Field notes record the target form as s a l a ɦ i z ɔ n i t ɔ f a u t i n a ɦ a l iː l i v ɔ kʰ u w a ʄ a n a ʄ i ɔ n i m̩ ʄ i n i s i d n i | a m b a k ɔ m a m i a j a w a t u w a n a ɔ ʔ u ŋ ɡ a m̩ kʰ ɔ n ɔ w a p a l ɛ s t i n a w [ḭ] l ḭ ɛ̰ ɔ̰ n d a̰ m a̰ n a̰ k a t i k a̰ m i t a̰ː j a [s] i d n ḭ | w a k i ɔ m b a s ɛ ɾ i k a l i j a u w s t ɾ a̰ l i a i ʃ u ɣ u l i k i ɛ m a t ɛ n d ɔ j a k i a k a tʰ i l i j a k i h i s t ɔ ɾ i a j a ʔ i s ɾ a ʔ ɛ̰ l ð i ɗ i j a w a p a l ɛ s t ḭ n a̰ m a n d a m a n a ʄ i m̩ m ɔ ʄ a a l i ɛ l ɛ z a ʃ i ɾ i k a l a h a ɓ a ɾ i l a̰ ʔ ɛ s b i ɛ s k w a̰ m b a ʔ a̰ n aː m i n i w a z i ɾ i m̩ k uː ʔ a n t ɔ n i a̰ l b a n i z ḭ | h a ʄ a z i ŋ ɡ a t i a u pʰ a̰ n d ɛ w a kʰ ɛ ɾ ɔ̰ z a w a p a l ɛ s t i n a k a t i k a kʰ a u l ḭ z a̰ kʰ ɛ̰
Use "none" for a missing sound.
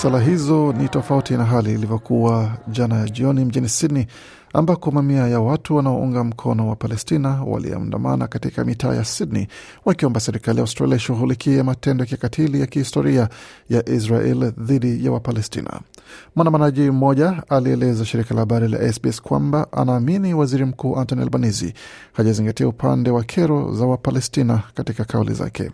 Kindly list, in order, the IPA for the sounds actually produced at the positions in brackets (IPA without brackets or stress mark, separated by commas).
a̰, s